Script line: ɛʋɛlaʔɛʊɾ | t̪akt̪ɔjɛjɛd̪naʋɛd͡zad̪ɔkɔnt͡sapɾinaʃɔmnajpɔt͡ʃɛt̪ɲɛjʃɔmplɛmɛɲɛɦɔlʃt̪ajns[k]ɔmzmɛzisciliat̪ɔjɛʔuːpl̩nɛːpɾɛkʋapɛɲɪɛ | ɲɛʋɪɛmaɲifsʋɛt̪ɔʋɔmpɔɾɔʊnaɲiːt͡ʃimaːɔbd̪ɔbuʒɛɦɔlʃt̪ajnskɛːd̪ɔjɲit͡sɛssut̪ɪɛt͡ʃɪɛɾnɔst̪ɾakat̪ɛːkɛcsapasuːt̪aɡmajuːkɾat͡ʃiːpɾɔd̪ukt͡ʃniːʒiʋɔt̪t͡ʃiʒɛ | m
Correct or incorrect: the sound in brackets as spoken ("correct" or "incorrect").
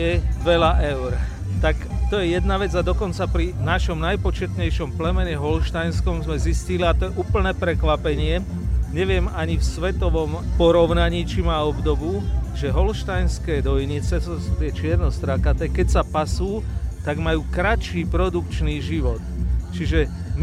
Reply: correct